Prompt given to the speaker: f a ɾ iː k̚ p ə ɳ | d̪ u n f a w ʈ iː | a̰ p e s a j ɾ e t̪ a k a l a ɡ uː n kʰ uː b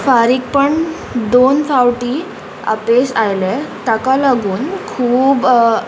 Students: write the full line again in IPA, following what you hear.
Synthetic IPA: f a ɾ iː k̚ p ə ɳ | d̪ o n f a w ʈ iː | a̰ p e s a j l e t̪ a k a l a ɡ uː n kʰ uː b